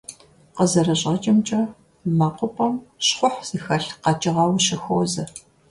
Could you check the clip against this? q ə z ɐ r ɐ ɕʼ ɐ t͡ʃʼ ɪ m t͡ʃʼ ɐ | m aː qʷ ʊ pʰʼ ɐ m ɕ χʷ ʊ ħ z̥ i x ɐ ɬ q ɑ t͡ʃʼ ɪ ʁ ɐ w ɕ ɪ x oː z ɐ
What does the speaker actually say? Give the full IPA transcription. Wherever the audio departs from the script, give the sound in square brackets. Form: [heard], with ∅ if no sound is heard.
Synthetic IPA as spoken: q ə z ɐ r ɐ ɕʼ ɐ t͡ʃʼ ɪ m t͡ʃʼ ɐ | m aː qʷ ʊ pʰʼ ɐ m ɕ χʷ ʊ ħ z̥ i x ɐ ɬ q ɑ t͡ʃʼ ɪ ʁ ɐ w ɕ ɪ x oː z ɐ